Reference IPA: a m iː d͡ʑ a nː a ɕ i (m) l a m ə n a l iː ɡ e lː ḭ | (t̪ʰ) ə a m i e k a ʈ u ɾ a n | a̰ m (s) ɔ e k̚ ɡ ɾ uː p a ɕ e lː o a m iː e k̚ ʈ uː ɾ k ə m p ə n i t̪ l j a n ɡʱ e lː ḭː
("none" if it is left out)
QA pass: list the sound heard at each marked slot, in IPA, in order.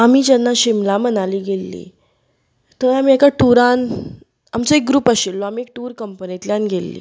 m, t̪, t͡s

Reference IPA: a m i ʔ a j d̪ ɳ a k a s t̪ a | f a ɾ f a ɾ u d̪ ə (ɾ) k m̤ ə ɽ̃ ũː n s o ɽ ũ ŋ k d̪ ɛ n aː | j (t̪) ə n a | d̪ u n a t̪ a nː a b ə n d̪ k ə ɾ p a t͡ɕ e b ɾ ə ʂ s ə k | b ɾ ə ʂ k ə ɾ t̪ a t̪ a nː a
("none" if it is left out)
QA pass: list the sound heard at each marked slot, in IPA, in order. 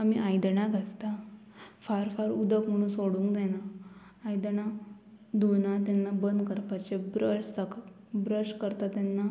none, d̪

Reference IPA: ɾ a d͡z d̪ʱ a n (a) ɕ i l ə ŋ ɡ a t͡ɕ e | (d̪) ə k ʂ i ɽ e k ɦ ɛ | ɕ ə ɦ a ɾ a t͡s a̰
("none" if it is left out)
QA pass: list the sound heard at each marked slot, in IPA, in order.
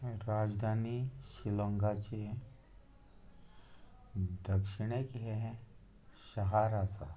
i, d̪

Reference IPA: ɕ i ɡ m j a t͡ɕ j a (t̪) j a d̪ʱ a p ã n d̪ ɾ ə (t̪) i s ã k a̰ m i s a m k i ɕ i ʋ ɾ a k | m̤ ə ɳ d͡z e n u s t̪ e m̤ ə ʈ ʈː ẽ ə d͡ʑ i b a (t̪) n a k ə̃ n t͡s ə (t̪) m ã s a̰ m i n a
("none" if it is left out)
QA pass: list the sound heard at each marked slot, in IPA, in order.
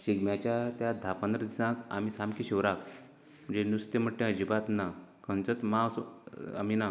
t̪, d̪, t̪, t̪

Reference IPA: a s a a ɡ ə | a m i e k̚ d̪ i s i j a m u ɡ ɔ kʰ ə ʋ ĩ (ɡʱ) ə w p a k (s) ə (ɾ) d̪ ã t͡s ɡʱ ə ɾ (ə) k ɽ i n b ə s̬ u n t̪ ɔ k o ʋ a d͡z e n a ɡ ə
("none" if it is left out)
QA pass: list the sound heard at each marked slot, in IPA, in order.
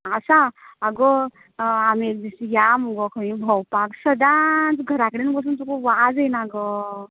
bʱ, s, none, a

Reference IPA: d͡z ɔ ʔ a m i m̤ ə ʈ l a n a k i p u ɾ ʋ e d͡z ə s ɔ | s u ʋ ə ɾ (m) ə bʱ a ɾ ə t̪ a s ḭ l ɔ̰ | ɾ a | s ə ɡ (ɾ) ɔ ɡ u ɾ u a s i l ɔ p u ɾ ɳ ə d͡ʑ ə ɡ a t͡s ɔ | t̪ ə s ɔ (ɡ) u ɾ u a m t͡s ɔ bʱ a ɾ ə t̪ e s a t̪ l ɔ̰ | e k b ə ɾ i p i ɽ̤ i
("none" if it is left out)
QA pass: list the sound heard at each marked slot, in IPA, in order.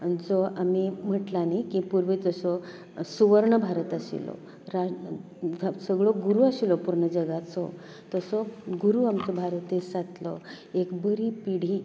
ɳ, ɭ, ɡ

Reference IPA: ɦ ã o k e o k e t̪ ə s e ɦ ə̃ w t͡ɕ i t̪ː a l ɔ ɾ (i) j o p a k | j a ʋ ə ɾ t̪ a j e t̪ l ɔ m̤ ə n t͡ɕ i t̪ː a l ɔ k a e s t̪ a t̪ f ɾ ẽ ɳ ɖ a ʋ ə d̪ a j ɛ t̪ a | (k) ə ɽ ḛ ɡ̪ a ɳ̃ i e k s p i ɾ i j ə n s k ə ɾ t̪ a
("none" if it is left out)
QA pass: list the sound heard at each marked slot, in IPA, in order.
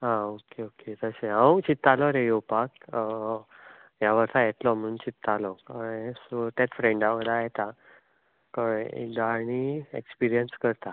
e, k

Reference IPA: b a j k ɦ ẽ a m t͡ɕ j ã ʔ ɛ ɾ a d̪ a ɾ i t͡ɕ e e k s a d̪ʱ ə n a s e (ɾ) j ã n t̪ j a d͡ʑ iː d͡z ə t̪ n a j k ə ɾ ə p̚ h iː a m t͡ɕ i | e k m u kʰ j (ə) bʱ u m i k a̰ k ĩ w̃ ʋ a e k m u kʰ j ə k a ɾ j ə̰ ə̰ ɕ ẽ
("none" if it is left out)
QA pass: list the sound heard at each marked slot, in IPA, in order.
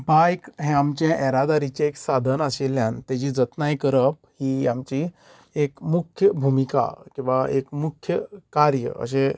l, ə

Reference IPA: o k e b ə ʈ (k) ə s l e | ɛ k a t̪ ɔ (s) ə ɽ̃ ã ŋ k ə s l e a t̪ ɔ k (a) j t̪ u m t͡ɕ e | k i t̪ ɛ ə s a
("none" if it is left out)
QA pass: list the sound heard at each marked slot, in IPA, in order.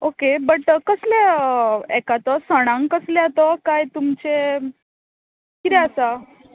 k, s, a

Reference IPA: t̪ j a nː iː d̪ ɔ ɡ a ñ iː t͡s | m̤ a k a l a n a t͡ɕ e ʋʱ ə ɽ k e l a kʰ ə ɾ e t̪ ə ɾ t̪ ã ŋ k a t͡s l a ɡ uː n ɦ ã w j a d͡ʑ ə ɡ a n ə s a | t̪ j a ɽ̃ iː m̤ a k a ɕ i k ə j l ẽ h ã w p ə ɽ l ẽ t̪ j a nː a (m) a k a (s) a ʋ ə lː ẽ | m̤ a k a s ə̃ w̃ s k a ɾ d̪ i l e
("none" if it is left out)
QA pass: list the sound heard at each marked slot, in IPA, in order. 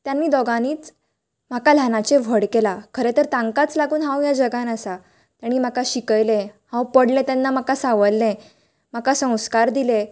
m, s

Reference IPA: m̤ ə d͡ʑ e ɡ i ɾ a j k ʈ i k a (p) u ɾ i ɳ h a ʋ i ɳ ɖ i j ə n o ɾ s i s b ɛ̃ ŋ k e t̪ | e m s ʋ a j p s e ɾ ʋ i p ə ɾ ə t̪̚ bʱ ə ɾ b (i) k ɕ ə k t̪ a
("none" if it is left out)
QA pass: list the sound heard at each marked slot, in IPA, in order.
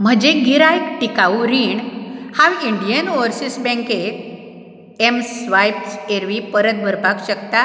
none, a

